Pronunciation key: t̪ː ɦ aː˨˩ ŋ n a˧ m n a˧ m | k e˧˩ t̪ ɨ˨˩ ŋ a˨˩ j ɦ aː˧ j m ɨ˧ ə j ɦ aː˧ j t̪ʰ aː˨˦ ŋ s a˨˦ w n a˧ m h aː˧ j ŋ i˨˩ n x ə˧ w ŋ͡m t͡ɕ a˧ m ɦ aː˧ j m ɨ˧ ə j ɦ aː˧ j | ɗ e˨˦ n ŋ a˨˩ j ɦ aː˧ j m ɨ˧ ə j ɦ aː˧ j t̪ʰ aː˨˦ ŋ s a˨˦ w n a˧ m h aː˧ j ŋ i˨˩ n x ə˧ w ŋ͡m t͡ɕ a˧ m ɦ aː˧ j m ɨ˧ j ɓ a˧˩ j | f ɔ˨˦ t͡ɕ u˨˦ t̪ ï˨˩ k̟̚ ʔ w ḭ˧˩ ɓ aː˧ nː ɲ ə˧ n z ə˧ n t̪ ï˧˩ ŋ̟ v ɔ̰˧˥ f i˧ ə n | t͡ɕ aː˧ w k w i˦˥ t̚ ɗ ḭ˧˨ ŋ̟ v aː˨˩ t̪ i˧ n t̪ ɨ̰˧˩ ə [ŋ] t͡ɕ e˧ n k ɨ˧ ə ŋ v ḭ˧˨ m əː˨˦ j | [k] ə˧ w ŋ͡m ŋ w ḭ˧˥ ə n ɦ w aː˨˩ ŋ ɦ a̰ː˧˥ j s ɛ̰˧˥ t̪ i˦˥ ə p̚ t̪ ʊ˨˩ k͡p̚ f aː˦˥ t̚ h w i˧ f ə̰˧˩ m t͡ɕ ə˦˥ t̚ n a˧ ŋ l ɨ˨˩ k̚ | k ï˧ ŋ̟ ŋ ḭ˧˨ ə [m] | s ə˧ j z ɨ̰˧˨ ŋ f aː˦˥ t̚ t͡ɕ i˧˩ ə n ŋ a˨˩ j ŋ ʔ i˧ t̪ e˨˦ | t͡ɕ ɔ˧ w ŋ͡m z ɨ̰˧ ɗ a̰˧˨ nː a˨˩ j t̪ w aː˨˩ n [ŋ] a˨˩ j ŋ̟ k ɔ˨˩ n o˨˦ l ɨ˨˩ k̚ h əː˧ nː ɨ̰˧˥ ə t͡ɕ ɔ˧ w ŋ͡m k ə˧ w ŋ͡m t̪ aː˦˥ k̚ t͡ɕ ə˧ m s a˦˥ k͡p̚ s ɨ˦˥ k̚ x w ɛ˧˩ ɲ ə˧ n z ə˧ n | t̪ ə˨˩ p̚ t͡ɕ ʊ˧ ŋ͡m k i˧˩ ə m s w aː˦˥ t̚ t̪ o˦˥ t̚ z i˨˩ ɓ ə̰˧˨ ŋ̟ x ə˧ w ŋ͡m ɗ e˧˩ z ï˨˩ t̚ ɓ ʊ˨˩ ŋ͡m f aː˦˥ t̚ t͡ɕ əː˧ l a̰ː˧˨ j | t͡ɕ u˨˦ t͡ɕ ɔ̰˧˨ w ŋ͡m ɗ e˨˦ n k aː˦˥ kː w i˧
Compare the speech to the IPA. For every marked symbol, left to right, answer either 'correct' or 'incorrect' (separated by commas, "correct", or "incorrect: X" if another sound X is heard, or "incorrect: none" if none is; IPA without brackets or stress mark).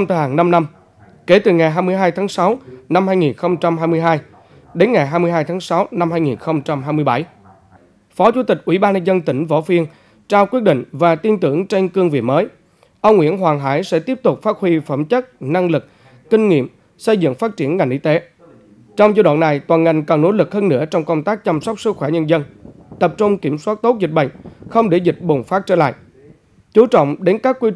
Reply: correct, incorrect: ʔ, correct, correct